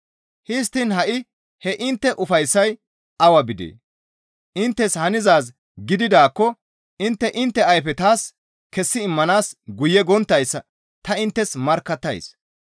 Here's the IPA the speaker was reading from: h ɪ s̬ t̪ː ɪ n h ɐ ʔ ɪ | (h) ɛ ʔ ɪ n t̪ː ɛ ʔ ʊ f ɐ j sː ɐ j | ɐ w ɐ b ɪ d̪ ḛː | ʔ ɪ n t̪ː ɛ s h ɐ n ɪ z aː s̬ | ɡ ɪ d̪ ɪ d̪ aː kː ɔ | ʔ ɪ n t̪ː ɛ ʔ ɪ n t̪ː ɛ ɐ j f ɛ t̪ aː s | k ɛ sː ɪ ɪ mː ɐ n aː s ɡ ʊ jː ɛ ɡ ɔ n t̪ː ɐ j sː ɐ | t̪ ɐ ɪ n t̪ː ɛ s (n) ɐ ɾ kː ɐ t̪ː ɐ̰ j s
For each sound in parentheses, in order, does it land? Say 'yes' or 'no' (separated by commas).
yes, no